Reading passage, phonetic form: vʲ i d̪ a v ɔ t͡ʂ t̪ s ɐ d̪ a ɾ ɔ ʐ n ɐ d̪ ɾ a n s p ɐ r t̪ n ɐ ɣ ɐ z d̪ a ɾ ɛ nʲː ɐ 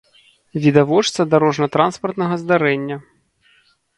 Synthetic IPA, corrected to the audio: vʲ i d̪ a v ɔ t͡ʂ t̪ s ɐ d̪ a ɾ ɔ ʐ n ɐ t̪ ɾ a n s p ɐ r t̪ n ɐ ɣ ɐ z d̪ a ɾ ɛ nʲː ɐ